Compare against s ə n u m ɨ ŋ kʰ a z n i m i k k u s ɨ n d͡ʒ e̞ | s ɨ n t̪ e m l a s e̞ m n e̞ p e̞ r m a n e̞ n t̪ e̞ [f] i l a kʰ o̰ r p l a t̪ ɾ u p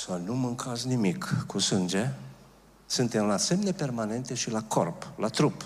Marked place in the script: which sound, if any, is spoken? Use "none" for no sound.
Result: ʃ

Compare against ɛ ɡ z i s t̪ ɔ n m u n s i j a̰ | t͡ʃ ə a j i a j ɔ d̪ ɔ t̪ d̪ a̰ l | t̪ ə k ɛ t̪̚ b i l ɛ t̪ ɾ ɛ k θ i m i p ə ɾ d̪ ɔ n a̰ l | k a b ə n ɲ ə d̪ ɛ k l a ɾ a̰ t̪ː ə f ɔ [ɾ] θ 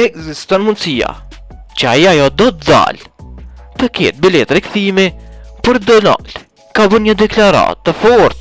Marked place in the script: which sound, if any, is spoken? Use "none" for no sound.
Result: ɾ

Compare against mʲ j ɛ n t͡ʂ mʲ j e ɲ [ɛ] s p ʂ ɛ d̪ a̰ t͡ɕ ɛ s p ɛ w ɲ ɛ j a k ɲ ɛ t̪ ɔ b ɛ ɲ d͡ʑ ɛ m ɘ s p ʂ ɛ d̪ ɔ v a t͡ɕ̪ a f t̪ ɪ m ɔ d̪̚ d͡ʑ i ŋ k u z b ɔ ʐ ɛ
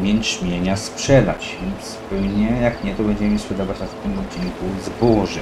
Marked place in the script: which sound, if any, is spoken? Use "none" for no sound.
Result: a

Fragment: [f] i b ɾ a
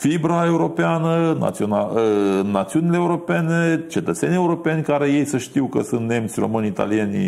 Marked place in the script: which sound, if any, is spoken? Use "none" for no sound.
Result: f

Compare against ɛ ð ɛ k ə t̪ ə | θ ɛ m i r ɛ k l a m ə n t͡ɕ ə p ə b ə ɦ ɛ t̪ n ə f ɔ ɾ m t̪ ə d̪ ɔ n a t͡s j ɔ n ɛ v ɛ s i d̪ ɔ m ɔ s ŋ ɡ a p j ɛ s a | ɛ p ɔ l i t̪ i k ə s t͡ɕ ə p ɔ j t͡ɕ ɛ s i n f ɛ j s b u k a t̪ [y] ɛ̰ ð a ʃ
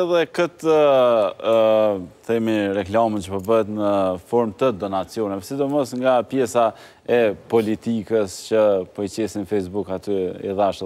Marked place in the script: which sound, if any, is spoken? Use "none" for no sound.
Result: y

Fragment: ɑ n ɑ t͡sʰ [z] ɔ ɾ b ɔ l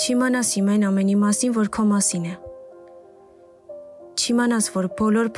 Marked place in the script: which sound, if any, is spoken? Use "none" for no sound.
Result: v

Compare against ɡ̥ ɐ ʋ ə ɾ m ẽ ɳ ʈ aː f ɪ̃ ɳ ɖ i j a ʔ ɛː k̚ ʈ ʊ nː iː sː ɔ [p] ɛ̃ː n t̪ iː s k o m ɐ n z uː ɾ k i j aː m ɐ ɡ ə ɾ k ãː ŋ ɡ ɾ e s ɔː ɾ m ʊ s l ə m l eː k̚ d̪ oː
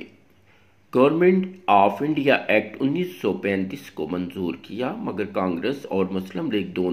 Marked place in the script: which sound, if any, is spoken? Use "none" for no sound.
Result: p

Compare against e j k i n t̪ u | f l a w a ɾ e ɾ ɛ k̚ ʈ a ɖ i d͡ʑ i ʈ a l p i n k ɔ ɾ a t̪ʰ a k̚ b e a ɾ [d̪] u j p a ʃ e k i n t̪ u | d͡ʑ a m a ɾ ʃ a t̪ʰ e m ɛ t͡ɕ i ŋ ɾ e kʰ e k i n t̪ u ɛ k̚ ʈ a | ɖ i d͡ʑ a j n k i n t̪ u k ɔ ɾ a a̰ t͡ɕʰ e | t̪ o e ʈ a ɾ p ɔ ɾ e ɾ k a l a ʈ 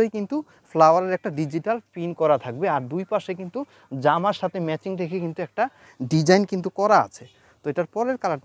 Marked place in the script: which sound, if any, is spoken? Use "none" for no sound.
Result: d̪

